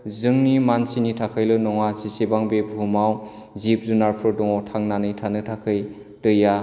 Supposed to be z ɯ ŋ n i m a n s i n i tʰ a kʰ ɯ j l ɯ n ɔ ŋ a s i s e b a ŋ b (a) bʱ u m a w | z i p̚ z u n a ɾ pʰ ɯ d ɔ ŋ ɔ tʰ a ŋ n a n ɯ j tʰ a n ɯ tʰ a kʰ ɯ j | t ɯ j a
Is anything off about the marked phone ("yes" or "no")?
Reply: yes